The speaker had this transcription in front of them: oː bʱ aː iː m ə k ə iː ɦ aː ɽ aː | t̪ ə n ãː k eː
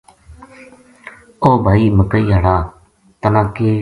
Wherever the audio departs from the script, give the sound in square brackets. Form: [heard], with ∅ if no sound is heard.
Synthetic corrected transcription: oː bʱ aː iː m ə k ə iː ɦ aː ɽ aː | t̪ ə n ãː k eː